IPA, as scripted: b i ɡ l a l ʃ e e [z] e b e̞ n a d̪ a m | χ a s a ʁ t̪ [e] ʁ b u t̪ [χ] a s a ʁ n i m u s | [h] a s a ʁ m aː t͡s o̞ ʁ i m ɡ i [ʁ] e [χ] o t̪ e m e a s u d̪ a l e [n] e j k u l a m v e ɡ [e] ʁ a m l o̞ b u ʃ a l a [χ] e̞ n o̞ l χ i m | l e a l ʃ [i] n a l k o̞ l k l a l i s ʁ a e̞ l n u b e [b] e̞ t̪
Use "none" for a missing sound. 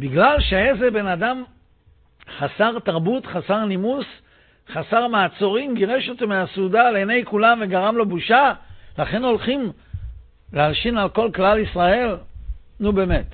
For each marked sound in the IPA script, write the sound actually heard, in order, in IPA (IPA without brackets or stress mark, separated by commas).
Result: z, a, χ, χ, ʁ, ʃ, n, a, χ, i, m